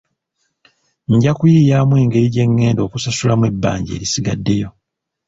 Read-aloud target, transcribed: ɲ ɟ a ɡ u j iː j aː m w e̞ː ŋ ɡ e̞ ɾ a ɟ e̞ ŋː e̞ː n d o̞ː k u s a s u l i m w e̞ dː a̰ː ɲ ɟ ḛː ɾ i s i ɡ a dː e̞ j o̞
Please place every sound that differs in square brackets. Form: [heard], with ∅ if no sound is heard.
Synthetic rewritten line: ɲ ɟ a [k] u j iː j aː m w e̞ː ŋ ɡ e̞ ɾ [i] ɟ e̞ ŋː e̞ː n d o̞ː k u s a s u l [a] m w e̞ [bː] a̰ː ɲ ɟ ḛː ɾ i s i ɡ a dː e̞ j o̞